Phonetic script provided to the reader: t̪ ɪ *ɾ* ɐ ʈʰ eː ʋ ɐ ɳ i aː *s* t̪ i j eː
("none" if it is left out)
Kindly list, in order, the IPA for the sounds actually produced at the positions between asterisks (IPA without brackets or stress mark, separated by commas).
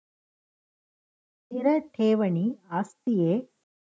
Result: ɾ, s